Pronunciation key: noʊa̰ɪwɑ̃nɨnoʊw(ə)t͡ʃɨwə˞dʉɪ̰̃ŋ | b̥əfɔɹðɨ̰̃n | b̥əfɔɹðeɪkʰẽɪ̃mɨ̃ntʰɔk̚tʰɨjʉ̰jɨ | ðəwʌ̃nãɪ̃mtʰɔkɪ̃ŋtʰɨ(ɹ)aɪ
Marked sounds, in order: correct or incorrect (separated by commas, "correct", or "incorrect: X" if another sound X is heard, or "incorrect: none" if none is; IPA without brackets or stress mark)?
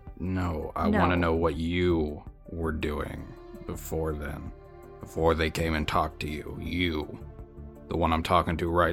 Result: incorrect: ʌ, correct